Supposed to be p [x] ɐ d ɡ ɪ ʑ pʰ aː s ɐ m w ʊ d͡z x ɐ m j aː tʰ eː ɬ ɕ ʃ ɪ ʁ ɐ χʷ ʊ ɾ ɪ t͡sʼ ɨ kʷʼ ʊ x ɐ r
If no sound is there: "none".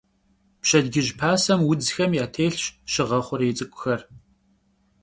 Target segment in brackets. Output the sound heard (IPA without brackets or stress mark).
ɕ